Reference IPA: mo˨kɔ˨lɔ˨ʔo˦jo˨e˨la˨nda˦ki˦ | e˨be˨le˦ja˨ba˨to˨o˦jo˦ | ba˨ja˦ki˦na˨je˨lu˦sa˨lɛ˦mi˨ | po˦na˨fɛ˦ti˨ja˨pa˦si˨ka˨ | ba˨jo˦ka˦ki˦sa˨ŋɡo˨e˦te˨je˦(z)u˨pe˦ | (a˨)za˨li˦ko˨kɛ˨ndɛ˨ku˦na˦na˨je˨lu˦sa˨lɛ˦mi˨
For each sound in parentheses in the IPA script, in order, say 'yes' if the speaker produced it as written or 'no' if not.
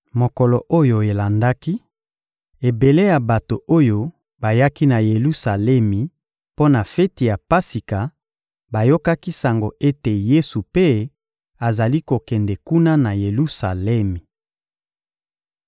no, yes

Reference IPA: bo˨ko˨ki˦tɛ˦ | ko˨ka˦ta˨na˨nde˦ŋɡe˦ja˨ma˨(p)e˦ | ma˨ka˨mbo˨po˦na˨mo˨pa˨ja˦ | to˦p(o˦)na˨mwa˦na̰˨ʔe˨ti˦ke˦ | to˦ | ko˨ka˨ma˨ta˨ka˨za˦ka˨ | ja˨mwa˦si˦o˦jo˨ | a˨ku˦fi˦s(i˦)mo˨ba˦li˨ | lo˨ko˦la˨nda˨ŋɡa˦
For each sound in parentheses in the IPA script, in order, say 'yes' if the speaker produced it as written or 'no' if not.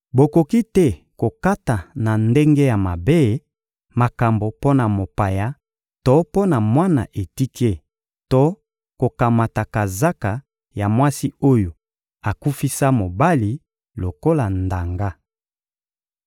no, yes, no

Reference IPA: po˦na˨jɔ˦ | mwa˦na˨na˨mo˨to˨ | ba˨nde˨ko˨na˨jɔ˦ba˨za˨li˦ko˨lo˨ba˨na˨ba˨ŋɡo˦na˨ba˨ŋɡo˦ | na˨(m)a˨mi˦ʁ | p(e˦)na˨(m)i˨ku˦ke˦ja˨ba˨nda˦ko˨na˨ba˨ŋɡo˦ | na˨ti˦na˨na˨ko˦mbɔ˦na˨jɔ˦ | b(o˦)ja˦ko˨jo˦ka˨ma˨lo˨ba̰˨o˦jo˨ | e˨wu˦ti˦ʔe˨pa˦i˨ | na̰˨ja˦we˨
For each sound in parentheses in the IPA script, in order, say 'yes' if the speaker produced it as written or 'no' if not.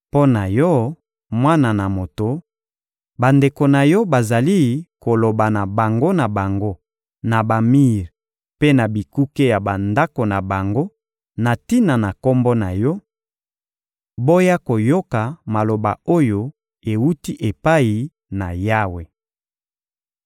no, yes, no, yes

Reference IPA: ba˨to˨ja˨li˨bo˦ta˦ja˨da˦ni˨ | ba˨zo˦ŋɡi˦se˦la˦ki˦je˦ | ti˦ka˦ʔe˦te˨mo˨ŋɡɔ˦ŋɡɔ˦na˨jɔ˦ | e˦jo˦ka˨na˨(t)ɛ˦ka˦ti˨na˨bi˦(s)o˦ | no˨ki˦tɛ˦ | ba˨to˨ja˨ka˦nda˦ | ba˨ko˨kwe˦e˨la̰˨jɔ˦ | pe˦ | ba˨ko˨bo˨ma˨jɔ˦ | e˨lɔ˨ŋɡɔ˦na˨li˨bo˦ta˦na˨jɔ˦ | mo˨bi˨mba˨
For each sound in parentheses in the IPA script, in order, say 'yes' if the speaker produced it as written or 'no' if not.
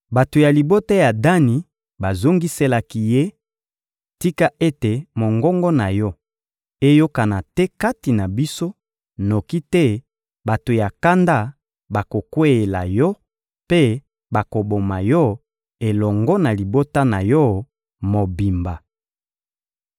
yes, yes

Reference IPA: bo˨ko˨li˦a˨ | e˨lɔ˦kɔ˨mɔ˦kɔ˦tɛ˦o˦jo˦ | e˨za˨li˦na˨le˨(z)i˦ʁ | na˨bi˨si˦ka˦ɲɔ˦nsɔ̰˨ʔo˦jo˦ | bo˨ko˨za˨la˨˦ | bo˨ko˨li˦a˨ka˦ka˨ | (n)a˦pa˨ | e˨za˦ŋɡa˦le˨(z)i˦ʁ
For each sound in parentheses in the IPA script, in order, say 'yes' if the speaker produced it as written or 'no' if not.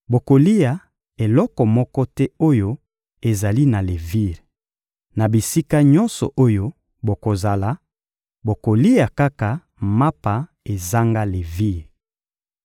no, no, no

